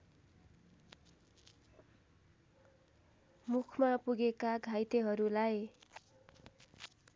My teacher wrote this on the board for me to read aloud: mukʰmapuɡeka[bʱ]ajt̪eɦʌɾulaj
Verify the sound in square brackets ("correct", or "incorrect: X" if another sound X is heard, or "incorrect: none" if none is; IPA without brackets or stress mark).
incorrect: ɡʱ